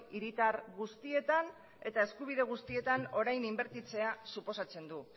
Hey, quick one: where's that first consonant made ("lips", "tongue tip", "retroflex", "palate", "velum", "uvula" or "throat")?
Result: tongue tip